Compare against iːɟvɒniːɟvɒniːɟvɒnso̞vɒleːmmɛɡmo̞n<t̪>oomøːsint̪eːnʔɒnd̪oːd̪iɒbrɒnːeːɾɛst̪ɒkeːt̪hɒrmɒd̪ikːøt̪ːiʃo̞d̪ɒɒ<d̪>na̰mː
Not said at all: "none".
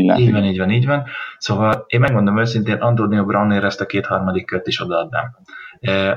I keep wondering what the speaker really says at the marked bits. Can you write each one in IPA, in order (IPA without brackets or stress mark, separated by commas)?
d̪, d̪